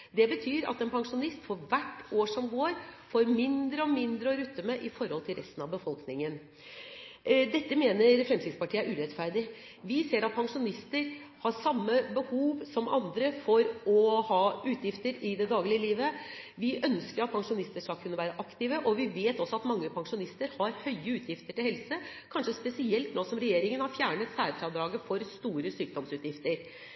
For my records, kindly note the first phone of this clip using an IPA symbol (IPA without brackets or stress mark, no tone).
d̪